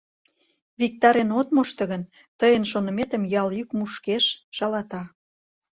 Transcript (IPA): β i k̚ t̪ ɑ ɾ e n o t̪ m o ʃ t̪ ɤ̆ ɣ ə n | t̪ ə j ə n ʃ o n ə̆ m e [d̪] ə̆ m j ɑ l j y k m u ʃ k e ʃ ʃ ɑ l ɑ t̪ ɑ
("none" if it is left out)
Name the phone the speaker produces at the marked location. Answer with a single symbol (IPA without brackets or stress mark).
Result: t̪